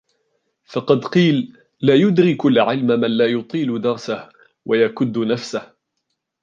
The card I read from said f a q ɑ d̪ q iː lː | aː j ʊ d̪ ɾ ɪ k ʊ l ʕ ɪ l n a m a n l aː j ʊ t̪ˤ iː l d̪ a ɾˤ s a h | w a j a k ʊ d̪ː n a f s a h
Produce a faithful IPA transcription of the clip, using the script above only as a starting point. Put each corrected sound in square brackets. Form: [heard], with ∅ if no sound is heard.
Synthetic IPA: f [ɑ] q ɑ d̪ q iː lː | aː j ʊ d̪ ɾ ɪ k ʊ l ʕ ɪ l [m] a m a n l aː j ʊ t̪ˤ iː l d̪ [ɑ] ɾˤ s a h | w a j a k ʊ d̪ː n a f s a h